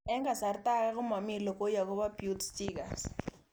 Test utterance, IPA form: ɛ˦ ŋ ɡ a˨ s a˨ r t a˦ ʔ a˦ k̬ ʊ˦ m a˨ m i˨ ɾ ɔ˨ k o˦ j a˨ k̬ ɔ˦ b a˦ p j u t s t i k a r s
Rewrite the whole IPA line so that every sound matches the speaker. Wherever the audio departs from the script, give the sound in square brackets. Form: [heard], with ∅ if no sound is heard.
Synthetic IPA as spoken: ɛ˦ ŋ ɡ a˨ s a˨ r t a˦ [k] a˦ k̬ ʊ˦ m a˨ m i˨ [l] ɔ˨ k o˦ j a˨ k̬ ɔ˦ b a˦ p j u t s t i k a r s